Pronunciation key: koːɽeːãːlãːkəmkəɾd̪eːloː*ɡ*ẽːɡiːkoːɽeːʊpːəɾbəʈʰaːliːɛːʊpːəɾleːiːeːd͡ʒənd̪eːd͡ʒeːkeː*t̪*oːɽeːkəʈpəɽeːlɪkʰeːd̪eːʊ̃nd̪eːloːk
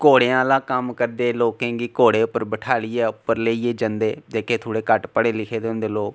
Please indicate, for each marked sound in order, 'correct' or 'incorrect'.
incorrect: k, incorrect: t̪ʰ

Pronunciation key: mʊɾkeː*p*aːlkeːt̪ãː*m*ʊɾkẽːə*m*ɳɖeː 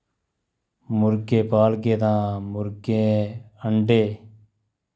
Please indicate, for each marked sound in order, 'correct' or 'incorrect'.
correct, correct, incorrect: none

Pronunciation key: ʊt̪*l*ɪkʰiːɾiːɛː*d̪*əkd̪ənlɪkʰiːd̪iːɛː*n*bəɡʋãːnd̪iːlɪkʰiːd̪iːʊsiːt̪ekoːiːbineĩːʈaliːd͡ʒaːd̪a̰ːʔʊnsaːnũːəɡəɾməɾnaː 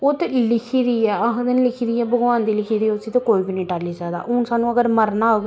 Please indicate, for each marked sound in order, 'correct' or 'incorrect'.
correct, incorrect: none, incorrect: none

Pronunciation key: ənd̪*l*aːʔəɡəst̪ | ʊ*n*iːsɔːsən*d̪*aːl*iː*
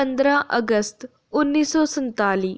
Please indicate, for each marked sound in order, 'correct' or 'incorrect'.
incorrect: ɾ, incorrect: nː, incorrect: t̪, correct

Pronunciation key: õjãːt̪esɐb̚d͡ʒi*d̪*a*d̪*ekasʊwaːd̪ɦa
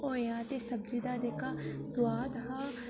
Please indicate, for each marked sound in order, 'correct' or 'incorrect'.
correct, correct

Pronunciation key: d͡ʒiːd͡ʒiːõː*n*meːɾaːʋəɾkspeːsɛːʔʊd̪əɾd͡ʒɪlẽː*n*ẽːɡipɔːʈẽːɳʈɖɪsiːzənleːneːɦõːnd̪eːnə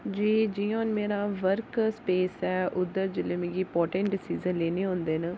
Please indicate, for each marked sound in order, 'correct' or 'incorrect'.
correct, incorrect: m

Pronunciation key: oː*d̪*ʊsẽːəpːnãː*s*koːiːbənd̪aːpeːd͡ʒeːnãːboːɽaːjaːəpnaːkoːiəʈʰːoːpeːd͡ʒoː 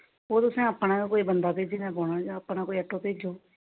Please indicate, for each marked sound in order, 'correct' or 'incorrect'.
incorrect: t̪, incorrect: none

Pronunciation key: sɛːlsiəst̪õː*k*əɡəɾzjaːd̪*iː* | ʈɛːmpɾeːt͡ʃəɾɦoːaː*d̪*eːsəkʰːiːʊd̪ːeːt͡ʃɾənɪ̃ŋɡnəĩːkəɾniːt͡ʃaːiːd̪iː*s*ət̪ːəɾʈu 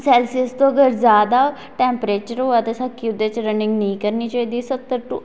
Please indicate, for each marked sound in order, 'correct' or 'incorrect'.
incorrect: none, incorrect: aː, incorrect: t̪, correct

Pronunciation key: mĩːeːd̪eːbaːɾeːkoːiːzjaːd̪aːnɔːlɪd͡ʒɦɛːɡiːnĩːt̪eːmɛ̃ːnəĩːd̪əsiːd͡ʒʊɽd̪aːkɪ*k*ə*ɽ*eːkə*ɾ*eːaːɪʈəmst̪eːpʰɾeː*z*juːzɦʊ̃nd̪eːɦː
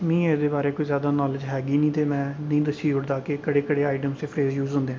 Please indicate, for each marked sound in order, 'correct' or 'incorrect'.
correct, correct, incorrect: ɽ, correct

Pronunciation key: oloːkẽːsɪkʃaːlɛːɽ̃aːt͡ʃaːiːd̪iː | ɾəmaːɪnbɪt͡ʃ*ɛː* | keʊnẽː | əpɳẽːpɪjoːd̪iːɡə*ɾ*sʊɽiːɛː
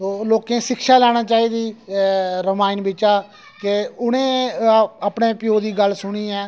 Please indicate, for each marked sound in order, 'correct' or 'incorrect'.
incorrect: aː, incorrect: l

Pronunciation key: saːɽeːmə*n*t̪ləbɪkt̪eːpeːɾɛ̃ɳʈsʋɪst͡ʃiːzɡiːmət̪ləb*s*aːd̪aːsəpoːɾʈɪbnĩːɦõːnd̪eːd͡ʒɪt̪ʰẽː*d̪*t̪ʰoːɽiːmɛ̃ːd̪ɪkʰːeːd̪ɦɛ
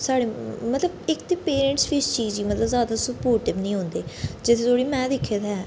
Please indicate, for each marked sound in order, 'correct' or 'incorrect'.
incorrect: none, incorrect: z, incorrect: none

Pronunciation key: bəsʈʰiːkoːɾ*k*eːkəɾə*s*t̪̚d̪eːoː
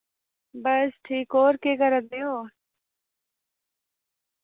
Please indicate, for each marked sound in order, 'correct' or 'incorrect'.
correct, incorrect: none

